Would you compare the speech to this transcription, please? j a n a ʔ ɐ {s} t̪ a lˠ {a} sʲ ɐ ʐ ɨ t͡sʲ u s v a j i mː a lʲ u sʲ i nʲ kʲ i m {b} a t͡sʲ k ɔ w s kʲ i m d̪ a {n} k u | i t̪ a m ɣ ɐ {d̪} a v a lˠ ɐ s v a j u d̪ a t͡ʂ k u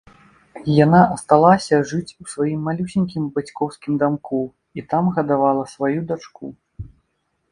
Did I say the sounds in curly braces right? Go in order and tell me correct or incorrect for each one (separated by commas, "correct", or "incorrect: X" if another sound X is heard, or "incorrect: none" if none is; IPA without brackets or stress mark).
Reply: correct, correct, correct, incorrect: m, correct